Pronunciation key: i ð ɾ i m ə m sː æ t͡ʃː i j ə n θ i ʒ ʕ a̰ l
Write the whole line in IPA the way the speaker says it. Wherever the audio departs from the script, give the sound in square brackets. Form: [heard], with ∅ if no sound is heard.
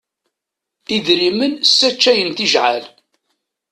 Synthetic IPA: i ð ɾ i m ə [n] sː æ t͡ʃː [æ] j ə n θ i ʒ ʕ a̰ l